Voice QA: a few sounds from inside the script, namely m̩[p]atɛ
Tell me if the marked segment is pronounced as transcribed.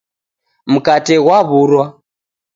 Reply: no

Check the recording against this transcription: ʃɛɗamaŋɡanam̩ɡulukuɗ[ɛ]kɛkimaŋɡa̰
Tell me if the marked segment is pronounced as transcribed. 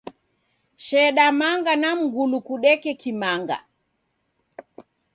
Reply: yes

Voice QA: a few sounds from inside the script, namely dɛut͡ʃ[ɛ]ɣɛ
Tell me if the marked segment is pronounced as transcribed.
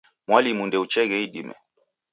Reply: yes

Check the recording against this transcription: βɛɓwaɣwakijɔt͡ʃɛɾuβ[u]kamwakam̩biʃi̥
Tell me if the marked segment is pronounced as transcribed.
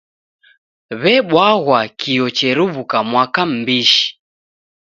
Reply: yes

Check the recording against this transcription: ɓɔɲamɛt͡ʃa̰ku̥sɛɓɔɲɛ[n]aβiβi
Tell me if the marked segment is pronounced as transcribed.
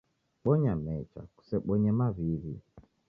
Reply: no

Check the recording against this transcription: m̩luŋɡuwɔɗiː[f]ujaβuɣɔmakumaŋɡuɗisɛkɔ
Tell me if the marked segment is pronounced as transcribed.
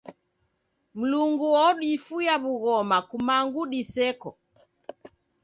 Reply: yes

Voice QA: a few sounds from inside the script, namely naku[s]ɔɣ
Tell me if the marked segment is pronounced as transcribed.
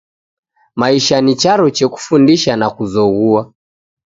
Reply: no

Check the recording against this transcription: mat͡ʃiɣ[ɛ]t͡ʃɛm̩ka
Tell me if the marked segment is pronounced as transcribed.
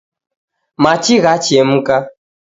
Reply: no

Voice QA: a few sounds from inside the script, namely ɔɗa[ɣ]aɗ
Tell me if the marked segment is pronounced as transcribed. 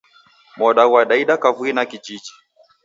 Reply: no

